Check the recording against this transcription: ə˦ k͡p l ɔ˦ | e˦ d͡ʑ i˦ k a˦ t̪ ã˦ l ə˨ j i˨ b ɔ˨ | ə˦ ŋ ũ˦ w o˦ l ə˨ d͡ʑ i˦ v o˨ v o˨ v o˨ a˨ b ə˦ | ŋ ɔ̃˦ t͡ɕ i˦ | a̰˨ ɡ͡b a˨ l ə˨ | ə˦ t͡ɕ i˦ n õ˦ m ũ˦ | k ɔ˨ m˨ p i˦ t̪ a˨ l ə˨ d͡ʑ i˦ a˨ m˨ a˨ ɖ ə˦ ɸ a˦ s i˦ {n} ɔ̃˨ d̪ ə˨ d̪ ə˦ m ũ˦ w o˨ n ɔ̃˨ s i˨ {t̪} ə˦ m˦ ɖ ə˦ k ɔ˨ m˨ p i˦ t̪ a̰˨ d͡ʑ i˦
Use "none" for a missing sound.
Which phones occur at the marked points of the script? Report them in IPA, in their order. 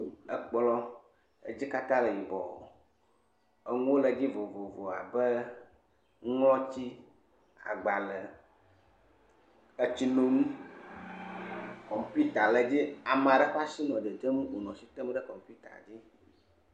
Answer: n, t̪

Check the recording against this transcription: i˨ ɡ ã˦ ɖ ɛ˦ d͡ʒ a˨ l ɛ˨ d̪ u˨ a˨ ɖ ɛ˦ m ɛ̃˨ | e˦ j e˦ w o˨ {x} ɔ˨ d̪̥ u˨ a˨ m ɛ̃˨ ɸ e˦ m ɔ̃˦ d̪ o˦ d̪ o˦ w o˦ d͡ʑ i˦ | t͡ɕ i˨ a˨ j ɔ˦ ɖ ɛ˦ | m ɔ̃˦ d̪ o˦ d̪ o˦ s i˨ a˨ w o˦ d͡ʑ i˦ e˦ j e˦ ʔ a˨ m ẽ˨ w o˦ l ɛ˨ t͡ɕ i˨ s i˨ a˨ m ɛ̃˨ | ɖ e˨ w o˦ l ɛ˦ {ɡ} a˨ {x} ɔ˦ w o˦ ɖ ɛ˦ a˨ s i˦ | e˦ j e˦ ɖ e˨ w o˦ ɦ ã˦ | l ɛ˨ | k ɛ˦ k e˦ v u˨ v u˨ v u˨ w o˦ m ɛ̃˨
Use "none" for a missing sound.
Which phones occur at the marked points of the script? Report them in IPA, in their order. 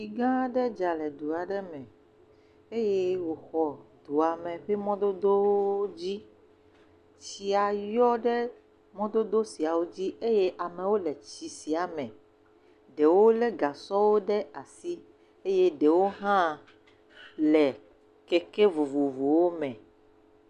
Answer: x, ɡ, s

